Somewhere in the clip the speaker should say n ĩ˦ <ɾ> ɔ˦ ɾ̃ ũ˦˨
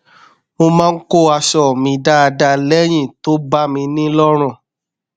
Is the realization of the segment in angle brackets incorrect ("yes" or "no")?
yes